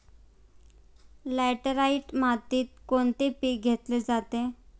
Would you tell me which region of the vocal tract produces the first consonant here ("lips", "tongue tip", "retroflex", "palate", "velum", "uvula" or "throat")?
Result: tongue tip